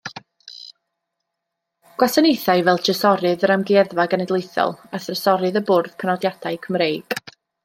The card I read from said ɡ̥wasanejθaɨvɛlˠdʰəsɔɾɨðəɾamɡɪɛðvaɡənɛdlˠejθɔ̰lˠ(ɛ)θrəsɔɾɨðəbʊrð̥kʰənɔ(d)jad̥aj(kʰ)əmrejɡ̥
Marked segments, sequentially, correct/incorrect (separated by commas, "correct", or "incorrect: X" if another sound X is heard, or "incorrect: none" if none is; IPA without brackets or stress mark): incorrect: a, correct, correct